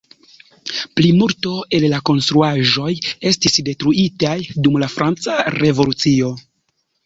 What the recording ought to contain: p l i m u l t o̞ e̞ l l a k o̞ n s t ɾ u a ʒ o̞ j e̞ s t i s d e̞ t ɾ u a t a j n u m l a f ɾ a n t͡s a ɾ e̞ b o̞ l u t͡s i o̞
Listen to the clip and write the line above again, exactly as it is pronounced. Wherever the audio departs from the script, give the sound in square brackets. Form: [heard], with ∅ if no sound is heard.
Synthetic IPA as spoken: p l i m u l t o̞ e̞ l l a k o̞ n s t ɾ u a ʒ o̞ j e̞ s t i s d e̞ t ɾ u [i] t a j [d] u m l a f ɾ a n t͡s a ɾ e̞ [v] o̞ l u t͡s i o̞